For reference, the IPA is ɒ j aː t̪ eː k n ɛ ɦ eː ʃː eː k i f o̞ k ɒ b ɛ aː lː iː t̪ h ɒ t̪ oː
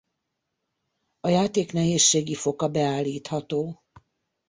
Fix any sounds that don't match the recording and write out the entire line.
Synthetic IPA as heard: ɒ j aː t̪ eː k n ɛ ɦ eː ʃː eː ɡ i f o̞ k ɒ b ɛ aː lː iː t̪ h ɒ t̪ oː